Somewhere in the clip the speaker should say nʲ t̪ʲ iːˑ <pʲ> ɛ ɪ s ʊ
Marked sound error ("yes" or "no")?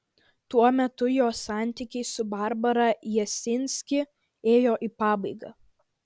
yes